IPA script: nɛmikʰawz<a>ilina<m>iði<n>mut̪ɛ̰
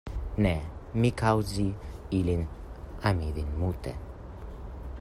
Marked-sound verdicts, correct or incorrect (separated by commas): incorrect, correct, correct